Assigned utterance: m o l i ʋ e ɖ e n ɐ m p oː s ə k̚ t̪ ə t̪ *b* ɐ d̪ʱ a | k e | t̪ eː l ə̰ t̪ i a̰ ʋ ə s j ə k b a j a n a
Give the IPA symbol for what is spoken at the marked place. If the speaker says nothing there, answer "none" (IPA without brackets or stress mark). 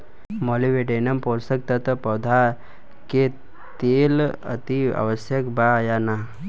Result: p